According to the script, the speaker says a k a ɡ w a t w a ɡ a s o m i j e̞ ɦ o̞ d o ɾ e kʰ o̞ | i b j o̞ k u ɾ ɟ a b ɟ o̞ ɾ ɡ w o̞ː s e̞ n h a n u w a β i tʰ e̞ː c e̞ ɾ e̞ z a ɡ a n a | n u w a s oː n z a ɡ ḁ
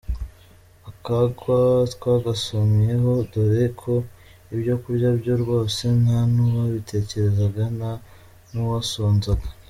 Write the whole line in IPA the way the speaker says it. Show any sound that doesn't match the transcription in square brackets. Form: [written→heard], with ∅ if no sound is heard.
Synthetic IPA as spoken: a k a ɡ w a t w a ɡ a s o m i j e̞ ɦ o̞ d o ɾ e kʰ o̞ | i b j o̞ k u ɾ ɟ a b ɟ o̞ ɾ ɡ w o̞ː s e̞ n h a n u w a β i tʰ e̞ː c e̞ ɾ e̞ z a ɡ a n a | n u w a s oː n z a ɡ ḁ